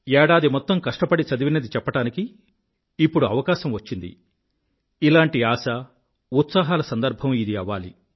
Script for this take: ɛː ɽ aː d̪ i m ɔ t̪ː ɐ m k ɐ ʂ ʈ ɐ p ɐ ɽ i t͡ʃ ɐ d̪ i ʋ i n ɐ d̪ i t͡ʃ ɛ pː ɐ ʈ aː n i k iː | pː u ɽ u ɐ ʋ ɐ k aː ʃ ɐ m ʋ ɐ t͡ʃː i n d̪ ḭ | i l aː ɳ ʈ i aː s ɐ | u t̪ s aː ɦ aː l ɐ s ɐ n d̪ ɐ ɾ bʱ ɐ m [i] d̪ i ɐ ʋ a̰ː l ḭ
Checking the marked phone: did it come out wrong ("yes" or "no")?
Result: no